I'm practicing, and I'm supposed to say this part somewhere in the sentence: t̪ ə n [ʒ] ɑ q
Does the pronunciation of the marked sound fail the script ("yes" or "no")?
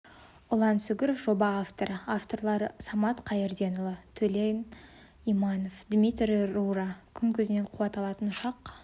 yes